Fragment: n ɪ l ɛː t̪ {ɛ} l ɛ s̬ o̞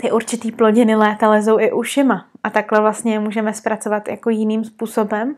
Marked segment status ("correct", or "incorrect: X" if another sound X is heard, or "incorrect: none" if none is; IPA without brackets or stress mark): incorrect: a